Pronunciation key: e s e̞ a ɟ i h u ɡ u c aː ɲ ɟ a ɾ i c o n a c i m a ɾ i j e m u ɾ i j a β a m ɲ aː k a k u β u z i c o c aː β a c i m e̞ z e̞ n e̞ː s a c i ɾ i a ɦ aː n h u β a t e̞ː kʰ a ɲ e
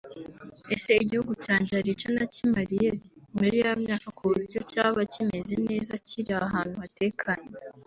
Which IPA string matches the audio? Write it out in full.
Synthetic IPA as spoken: e s e̞ i ɟ i h u ɡ u c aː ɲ ɟ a ɾ i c o n a c i m a ɾ i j e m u ɾ i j a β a m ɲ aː k a k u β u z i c o c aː β a c i m e̞ z e̞ n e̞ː z a c i ɾ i a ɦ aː n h u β a t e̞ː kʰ a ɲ e